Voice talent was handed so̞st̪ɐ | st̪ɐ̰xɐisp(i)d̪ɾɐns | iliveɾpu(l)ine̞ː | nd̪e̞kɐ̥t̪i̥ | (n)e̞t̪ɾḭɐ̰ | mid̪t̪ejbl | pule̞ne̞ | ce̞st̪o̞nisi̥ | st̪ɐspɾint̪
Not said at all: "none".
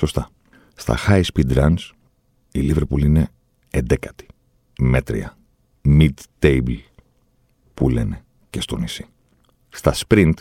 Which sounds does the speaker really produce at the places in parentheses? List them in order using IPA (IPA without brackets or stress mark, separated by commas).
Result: i, l, m